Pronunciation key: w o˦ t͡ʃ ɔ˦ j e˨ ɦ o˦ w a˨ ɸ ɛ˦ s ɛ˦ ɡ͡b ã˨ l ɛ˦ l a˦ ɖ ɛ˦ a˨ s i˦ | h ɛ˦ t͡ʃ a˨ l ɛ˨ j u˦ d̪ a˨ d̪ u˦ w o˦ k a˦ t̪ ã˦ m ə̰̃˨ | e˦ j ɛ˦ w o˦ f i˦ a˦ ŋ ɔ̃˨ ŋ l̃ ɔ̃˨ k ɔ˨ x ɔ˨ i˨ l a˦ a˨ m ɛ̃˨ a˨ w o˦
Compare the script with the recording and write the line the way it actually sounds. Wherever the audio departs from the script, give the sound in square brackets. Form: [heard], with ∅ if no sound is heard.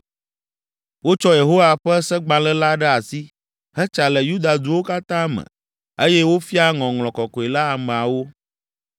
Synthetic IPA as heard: w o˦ t͡ʃ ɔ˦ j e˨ ɦ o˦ w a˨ ɸ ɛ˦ s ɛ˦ ɡ͡b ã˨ l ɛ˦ l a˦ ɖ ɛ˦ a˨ s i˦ | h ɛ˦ t͡ʃ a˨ l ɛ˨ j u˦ d̪ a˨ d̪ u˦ w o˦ k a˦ t̪ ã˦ m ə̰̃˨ | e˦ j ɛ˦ w o˦ f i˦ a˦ ŋ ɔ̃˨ ŋ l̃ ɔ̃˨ k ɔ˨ [k] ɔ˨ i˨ l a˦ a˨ m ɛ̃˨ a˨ w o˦